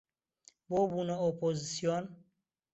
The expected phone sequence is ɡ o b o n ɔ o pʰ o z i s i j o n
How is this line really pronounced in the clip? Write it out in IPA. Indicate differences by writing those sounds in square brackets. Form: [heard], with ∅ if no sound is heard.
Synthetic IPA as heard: [b] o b [u] n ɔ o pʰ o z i s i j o n